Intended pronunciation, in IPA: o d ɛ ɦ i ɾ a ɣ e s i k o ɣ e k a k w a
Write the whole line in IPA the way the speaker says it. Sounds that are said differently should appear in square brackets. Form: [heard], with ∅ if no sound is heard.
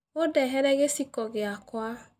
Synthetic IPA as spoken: o d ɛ ɦ [ɛ] ɾ [ɛ] ɣ e s i k [ɔ] ɣ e [∅] a k w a

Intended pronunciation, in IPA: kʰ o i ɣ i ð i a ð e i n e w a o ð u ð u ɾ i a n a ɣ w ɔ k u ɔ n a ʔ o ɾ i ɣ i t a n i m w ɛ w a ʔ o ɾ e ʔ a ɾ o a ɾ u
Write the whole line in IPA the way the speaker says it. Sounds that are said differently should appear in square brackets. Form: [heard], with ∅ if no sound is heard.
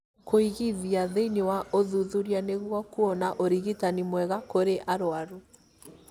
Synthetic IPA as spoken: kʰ o i ɣ i ð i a ð e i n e w a o ð u ð u ɾ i a n [e] ɣ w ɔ k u ɔ n a ʔ o ɾ i ɣ i t a n i m w ɛ [ɣ] a [k] o ɾ e ʔ a ɾ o a ɾ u

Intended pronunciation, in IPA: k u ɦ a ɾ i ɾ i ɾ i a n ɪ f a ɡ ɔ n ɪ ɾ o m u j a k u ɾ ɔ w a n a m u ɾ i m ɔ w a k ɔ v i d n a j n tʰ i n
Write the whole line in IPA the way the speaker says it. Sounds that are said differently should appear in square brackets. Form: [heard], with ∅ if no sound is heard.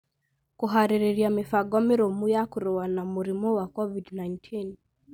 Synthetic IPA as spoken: k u ɦ a ɾ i ɾ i ɾ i a [m] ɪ f a ɡ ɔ [m] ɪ ɾ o m u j a k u ɾ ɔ w a n a m u ɾ i m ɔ w a k ɔ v i d n a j n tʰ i n

